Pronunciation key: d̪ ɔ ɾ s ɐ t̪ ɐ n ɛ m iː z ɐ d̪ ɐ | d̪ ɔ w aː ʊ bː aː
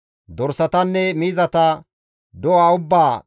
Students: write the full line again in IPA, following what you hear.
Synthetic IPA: d̪ ɔ ɾ s ɐ t̪ ɐ nː ɛ m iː z ɐ t̪ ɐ | d̪ ɔ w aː ʊ bː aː